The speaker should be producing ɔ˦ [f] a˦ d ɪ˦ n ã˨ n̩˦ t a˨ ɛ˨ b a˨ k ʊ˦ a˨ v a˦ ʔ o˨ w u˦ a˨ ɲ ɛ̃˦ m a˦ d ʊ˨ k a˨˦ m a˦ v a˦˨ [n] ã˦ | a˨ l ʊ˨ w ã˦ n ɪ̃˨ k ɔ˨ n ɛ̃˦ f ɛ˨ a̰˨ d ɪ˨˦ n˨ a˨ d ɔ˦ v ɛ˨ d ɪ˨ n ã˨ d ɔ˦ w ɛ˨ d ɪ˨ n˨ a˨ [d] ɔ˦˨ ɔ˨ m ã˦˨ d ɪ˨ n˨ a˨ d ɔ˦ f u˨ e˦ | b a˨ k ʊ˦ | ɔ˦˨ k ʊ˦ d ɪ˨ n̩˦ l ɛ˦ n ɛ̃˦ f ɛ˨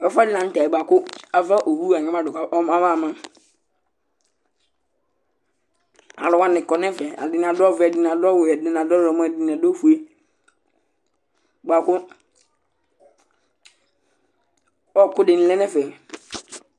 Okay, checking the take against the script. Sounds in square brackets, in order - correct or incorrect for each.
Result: correct, incorrect: m, correct

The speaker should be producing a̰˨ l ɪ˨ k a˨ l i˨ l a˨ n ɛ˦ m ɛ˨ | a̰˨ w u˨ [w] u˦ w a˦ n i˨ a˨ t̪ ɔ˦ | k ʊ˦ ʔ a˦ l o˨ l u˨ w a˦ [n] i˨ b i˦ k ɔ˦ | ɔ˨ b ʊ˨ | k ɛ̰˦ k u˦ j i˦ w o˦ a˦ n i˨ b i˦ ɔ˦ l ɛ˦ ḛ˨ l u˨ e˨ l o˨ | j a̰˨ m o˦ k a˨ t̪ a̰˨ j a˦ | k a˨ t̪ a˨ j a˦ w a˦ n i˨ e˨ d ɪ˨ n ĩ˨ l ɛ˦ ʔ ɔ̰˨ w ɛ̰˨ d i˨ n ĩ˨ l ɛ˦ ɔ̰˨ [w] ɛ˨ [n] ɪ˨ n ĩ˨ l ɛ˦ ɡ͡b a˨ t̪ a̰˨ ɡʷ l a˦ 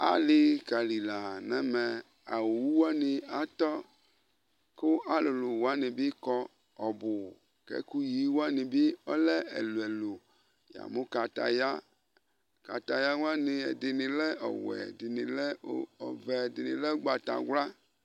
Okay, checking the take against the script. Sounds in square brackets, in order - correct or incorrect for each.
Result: correct, correct, incorrect: v, incorrect: d

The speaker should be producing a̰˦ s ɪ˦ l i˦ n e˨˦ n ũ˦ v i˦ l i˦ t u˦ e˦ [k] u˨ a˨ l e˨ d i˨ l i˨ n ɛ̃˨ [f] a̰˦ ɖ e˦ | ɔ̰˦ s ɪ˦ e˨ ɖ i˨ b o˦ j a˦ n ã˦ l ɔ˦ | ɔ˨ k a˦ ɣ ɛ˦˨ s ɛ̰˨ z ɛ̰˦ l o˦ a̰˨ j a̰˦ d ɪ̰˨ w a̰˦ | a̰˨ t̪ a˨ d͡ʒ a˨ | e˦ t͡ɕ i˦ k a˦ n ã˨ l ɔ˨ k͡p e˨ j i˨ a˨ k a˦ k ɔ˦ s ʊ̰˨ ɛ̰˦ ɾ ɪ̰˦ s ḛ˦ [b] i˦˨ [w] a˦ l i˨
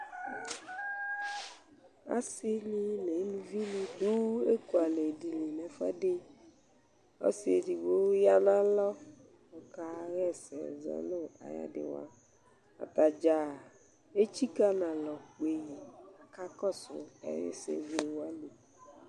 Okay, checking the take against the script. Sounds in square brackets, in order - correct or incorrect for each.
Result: correct, correct, incorrect: v, correct

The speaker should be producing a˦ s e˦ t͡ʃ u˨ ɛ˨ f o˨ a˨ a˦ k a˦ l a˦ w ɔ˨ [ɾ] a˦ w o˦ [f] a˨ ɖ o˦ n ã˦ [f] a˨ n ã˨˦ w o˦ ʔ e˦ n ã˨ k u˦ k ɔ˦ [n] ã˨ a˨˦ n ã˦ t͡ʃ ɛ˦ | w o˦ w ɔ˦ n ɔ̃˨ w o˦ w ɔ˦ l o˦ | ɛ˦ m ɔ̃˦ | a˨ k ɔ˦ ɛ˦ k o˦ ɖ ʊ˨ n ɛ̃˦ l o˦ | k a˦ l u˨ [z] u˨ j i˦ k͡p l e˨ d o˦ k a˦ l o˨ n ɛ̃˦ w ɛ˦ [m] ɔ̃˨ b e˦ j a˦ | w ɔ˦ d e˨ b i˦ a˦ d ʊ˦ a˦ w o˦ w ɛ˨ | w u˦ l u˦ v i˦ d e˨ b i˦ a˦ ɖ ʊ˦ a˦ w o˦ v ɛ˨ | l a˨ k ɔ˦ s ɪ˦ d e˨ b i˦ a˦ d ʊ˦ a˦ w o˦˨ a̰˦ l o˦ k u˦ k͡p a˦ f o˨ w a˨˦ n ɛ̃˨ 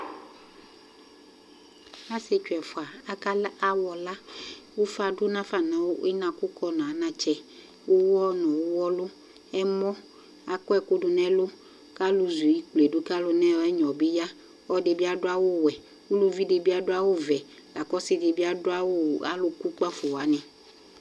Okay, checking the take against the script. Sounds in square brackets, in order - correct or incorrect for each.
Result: incorrect: l, correct, correct, correct, correct, incorrect: ɲ

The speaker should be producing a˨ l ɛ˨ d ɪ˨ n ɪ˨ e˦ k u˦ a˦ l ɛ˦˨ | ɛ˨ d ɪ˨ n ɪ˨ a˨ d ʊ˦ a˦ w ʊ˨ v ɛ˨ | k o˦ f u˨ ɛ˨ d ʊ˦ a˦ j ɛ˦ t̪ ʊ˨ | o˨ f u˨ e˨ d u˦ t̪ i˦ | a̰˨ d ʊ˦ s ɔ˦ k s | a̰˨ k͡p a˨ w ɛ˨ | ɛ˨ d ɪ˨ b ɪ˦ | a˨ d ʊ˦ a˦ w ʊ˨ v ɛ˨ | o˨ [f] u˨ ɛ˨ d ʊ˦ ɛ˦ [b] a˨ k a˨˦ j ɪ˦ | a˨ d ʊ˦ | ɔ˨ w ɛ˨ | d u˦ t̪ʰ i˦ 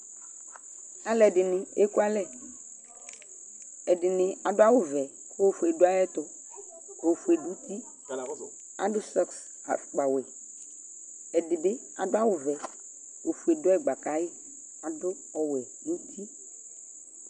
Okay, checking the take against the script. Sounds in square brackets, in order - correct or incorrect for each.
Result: correct, incorrect: ɡ͡b

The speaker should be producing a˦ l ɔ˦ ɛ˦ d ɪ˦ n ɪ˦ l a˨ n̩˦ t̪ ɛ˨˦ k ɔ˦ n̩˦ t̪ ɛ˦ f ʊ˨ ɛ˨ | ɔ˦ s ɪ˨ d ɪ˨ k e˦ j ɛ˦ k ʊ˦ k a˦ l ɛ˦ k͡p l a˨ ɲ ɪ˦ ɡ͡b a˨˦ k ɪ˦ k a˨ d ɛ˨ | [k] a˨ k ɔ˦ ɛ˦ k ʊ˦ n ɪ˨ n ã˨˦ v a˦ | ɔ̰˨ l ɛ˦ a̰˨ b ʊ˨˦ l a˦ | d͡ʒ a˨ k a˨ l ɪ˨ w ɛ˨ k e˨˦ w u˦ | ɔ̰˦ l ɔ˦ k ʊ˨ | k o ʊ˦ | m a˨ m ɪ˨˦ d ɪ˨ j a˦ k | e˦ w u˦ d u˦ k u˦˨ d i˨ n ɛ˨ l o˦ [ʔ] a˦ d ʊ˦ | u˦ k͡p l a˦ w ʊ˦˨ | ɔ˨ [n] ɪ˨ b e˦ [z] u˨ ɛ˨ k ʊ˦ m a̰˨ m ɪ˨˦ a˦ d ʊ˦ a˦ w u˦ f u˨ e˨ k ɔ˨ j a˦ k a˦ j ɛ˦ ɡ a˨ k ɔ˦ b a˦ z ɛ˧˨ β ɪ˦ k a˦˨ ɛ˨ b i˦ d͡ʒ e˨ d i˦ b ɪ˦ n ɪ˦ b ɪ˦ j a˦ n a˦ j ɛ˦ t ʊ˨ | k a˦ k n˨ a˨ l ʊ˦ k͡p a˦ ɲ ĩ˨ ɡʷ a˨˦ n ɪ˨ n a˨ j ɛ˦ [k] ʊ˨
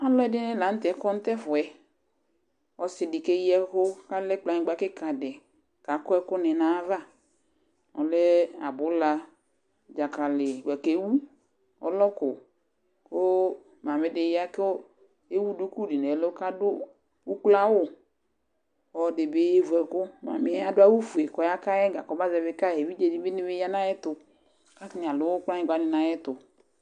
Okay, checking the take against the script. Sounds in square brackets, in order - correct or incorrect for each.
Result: correct, incorrect: k, incorrect: d, incorrect: v, incorrect: t

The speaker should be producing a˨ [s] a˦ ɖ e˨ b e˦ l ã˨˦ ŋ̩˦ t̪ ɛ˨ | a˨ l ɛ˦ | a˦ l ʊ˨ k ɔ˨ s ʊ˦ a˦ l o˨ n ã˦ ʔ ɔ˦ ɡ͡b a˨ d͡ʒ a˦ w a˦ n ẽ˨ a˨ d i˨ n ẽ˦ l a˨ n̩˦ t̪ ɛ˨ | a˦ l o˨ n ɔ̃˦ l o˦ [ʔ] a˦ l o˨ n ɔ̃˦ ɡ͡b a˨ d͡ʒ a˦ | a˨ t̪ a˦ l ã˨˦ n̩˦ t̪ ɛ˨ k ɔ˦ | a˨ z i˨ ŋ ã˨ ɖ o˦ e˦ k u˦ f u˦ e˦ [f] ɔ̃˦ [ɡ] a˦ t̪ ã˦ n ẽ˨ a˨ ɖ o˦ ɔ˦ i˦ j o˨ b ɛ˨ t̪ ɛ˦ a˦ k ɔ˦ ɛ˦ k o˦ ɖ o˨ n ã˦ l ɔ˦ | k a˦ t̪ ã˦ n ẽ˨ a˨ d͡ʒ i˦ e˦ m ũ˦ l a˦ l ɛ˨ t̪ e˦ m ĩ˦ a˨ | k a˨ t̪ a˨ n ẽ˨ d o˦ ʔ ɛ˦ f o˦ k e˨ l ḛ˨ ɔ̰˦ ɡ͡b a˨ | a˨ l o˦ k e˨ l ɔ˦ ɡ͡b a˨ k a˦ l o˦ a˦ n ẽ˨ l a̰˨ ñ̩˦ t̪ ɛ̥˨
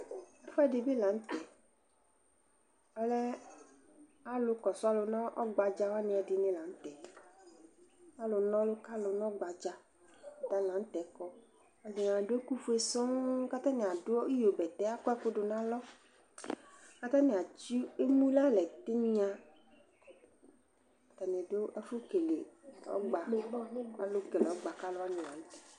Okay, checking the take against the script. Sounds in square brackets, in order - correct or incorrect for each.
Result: incorrect: f, incorrect: k, incorrect: s, incorrect: k

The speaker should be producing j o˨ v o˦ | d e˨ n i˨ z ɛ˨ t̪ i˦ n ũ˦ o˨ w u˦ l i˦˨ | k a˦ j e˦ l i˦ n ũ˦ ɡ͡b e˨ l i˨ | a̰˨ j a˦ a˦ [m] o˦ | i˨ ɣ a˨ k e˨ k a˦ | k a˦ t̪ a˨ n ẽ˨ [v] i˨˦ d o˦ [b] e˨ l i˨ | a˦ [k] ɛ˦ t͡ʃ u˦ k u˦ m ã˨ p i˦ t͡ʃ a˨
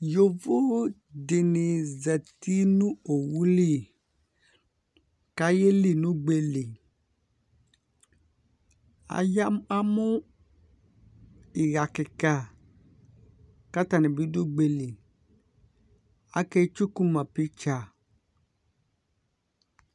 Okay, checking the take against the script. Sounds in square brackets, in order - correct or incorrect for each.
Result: correct, incorrect: b, incorrect: ɡ͡b, correct

